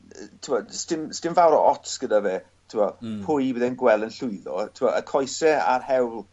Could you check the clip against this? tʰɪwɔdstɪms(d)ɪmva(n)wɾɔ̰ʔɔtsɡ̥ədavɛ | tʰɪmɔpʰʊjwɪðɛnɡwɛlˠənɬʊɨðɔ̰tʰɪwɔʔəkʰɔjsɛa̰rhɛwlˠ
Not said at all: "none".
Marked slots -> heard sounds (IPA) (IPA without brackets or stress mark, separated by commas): t, none